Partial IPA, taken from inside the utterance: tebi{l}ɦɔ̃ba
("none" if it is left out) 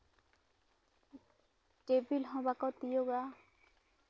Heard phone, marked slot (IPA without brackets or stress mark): l